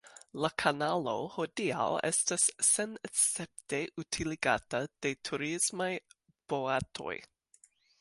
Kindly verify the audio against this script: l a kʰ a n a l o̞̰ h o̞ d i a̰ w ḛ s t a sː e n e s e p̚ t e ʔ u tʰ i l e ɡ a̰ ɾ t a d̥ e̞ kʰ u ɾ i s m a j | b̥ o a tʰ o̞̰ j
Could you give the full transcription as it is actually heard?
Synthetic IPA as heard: l a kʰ a n a l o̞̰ h o̞ d i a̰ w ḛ s t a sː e n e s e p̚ t e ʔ u tʰ i l i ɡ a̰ t a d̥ e̞ tʰ u ɾ i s m a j | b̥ o a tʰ o̞̰ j